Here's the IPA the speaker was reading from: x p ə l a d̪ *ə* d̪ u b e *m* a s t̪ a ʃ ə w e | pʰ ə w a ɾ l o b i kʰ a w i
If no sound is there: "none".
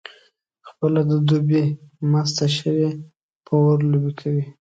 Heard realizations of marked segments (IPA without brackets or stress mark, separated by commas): ə, m